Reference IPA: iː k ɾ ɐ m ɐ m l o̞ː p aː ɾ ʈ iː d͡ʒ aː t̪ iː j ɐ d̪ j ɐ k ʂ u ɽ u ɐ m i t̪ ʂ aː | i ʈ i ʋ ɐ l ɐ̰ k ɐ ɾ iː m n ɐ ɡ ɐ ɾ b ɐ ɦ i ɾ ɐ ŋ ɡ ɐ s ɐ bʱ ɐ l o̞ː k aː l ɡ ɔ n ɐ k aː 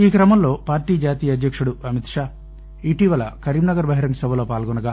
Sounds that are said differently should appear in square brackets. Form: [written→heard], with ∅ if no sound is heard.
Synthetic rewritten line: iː k ɾ ɐ m ɐ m l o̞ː p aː ɾ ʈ iː d͡ʒ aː t̪ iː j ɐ d̪ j ɐ k ʂ u ɽ u ɐ m i t̪ ʂ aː | i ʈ i ʋ ɐ l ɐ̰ k ɐ ɾ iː m n ɐ ɡ ɐ ɾ b ɐ ɦ i ɾ ɐ ŋ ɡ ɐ s ɐ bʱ ɐ l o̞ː [k→p] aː l ɡ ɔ n ɐ [k→ɡ] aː